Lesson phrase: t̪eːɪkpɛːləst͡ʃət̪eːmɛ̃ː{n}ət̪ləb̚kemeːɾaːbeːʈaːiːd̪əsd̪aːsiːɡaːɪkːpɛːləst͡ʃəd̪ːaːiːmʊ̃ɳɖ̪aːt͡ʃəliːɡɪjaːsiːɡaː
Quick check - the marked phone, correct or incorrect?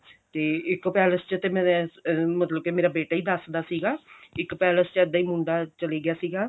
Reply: incorrect